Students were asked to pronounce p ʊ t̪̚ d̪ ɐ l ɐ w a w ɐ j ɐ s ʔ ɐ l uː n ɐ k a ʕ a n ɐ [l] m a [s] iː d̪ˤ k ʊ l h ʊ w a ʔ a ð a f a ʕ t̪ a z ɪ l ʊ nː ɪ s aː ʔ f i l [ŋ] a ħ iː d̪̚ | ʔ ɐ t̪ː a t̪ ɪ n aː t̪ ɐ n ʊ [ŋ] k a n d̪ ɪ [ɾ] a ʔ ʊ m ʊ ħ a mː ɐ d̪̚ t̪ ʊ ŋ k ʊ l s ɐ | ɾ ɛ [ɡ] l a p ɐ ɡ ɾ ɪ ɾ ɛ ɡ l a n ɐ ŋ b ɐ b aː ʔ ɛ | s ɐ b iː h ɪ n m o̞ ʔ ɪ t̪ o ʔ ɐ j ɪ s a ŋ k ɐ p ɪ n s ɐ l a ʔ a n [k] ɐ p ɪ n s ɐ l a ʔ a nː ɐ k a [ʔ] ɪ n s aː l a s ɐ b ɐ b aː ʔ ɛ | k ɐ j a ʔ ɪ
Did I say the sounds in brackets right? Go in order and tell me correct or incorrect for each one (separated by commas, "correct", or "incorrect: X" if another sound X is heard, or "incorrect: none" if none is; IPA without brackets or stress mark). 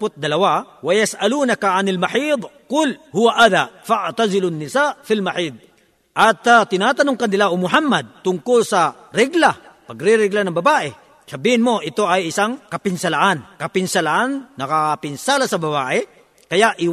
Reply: correct, incorrect: ħ, incorrect: m, correct, incorrect: l, correct, correct, incorrect: p